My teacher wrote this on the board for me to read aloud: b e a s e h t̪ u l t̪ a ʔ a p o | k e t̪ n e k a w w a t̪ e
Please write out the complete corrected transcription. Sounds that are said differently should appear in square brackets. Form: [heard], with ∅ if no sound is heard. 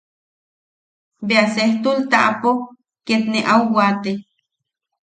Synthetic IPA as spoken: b e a s e h t̪ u l t̪ a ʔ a p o | k e t̪ n e [ʔ] a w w a t̪ e